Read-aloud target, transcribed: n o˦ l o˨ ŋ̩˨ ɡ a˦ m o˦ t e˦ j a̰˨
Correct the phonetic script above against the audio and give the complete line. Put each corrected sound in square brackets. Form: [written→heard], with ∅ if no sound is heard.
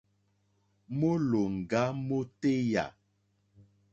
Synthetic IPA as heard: [n→m] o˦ l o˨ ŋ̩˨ ɡ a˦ m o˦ t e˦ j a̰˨